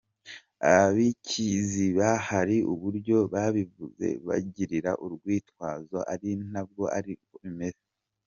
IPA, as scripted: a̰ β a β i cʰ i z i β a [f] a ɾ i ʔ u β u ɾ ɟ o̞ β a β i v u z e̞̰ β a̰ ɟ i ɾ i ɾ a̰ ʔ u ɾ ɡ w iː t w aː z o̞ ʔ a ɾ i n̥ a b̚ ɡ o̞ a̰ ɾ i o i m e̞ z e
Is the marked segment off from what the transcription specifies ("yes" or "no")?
yes